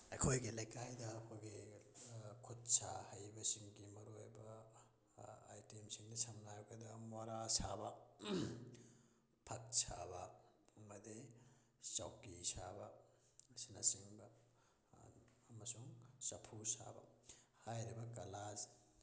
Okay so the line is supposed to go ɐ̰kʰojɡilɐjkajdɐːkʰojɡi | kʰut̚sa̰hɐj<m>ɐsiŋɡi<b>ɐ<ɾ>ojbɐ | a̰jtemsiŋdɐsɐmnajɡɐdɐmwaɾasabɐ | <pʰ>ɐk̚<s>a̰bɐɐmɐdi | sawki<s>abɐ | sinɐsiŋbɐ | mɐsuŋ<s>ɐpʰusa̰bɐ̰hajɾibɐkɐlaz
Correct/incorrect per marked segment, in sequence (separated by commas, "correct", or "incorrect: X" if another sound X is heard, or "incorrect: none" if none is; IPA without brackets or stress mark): incorrect: b, incorrect: m, correct, correct, correct, correct, correct